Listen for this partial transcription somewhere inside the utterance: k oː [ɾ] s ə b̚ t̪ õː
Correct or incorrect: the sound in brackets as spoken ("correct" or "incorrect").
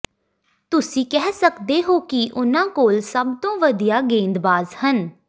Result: incorrect